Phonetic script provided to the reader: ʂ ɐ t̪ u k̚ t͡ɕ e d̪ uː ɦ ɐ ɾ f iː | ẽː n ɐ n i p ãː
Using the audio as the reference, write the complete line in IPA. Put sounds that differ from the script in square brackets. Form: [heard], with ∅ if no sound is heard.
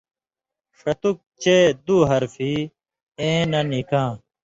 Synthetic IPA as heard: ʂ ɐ t̪ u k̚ t͡ɕ e d̪ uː ɦ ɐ ɾ f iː | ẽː n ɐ n i [k] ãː